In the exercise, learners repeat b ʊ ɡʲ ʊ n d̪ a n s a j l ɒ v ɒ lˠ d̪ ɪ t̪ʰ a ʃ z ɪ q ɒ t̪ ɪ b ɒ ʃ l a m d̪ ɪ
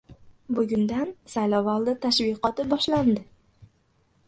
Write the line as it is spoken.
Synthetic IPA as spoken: b ʊ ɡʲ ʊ n d̪ a n s a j l ɒ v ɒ lˠ d̪ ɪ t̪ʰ a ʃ v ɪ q ɒ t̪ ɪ b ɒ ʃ l a n d̪ ɪ